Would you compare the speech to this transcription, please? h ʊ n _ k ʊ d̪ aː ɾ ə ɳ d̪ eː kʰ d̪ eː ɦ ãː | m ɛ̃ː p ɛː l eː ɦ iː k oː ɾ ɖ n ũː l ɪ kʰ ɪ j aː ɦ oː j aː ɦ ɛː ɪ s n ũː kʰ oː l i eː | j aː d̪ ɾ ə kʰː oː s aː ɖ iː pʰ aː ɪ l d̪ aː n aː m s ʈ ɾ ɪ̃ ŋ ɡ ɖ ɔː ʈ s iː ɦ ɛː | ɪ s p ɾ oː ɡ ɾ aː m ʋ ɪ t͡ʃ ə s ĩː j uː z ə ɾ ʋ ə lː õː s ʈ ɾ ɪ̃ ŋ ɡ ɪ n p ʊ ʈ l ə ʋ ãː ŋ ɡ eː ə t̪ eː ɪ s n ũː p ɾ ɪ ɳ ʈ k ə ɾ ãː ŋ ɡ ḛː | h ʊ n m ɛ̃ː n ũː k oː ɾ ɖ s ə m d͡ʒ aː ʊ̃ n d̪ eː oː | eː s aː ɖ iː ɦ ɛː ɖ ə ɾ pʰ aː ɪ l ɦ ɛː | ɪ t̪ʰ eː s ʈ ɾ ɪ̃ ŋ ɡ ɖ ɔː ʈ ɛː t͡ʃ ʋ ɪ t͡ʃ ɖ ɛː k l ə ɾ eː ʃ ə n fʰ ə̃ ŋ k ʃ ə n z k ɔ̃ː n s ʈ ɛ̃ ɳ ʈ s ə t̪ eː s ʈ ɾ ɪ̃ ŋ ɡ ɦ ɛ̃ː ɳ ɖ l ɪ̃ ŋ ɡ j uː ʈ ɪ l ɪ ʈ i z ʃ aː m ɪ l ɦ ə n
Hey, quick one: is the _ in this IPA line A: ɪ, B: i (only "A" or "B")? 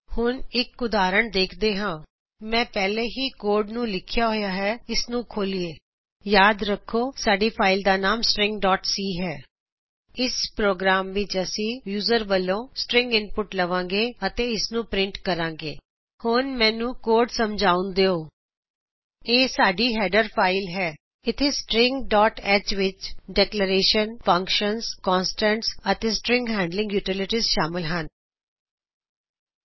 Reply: A